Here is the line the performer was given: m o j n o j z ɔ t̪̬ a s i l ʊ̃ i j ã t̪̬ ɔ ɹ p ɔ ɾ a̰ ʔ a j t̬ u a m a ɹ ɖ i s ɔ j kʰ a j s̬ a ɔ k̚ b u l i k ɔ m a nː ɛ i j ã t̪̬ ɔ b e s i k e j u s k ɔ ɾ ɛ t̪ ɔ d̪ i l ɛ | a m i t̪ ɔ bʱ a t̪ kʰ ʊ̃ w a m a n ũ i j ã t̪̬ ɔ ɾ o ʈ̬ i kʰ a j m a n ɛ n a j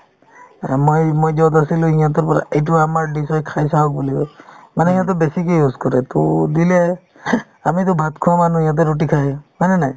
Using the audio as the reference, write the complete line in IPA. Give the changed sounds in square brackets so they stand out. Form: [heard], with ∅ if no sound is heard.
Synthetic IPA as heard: m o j [m] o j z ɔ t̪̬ a s i l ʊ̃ i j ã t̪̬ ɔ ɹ p ɔ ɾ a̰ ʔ [e] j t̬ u a m a ɹ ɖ i s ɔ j kʰ a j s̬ a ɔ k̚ b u l i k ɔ m a [n] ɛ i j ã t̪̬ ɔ b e s i k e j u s k ɔ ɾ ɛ t̪ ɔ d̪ i l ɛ | a m i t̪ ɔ bʱ a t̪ kʰ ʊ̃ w a m a n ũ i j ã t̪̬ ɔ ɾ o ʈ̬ i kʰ a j m a n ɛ n a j